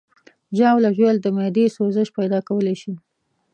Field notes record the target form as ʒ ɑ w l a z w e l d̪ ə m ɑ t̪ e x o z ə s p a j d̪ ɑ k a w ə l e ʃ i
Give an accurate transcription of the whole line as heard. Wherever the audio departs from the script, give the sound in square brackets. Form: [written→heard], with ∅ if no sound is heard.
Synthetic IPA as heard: ʒ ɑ w l a [z→ʒ] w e l d̪ ə m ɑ [t̪→d̪] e [x→s] o z ə [s→ʃ] p a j d̪ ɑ k a w ə l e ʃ i